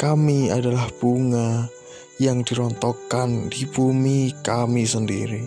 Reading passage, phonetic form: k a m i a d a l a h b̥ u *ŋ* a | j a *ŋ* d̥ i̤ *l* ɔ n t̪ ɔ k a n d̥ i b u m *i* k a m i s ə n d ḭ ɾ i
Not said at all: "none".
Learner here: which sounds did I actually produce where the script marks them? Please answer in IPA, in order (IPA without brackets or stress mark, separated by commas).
ŋ, ŋ, ɾ, i